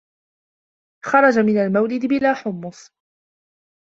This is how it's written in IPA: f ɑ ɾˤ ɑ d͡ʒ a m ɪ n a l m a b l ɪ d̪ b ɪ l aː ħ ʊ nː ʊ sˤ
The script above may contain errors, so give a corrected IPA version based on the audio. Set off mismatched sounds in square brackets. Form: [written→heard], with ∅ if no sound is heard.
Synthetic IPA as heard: [f→x] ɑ ɾˤ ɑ d͡ʒ a m ɪ n a l m a [b→w] l ɪ d̪ b ɪ l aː ħ ʊ [nː→mː] ʊ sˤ